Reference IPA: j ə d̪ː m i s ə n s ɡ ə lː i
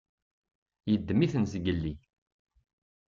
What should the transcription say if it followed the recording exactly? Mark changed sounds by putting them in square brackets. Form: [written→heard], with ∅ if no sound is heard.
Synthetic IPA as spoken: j ə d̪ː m i [s→θ] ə n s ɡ ə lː i